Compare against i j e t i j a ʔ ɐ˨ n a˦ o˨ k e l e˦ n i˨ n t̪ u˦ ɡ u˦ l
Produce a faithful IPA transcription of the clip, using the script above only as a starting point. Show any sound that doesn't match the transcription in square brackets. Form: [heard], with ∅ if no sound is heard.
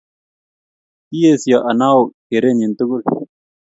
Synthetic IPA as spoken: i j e [s] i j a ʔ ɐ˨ n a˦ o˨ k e [ɾ] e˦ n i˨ n t̪ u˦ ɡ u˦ l